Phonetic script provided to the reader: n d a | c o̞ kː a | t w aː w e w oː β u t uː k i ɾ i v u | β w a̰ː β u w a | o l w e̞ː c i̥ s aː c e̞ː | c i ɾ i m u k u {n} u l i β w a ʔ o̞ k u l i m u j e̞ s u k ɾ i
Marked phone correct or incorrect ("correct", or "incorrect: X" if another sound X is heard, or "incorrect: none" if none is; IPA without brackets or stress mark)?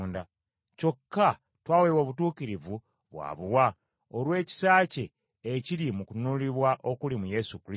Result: correct